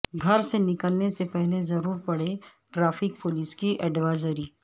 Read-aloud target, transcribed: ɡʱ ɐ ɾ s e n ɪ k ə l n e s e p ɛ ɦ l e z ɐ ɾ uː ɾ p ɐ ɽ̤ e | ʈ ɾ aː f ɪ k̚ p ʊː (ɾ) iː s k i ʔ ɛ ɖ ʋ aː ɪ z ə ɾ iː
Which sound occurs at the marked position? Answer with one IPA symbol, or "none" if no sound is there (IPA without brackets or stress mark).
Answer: l